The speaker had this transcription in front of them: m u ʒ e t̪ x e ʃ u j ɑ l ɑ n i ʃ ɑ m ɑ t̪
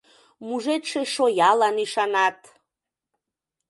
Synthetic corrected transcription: m u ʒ e t̪ ʃ e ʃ o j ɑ l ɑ n i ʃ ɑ n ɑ t̪